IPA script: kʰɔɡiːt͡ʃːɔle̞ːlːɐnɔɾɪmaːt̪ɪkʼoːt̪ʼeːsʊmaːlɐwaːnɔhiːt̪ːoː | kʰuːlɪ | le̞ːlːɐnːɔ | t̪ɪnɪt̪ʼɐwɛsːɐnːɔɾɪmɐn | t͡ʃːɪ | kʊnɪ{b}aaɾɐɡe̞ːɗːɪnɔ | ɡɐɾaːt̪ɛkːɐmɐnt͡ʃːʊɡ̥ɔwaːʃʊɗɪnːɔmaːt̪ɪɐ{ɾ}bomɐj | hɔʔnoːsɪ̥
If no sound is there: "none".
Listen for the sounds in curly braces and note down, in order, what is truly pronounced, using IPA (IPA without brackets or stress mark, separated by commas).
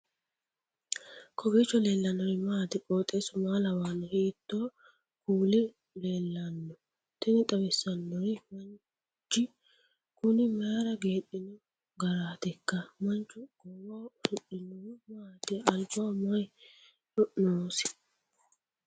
m, l